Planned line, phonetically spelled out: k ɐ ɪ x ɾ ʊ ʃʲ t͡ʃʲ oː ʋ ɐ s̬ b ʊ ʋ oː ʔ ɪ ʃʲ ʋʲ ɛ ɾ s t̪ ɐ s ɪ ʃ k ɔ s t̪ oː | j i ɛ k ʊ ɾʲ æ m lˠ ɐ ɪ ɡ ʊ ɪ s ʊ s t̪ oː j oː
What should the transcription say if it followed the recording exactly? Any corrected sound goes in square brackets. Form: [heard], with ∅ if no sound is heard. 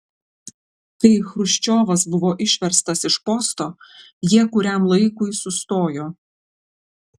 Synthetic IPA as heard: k ɐ ɪ x ɾ ʊ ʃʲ t͡ʃʲ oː ʋ ɐ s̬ b ʊ ʋ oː ʔ ɪ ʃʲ ʋʲ ɛ ɾ s t̪ ɐ s ɪ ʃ [p] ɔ s t̪ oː | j i ɛ k ʊ ɾʲ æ m lˠ ɐ ɪ [k] ʊ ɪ s ʊ s t̪ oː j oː